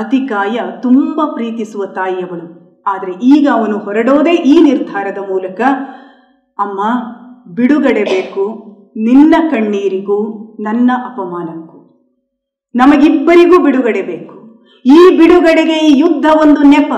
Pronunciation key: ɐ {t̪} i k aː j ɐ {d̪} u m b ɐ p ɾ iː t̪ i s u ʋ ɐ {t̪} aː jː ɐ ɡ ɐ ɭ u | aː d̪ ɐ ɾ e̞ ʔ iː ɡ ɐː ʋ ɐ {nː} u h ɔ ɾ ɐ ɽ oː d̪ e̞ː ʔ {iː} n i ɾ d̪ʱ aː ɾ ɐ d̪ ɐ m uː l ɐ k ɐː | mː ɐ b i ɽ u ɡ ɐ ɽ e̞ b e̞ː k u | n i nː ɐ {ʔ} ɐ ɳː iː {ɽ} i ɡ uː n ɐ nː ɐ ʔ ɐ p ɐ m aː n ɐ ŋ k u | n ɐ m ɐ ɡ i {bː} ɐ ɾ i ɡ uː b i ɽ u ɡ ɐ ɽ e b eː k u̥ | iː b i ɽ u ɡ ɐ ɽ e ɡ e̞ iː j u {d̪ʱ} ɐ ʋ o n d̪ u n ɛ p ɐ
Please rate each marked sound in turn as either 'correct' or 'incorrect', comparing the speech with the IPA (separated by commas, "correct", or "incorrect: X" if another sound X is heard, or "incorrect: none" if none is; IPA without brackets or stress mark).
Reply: correct, incorrect: t̪, correct, incorrect: n, correct, incorrect: k, incorrect: ɾ, correct, incorrect: d̪ʱː